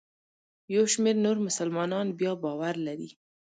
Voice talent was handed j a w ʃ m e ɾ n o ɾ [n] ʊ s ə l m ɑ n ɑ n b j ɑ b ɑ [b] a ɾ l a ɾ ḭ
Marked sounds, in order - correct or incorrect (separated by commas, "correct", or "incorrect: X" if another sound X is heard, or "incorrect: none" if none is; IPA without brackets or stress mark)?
incorrect: m, incorrect: w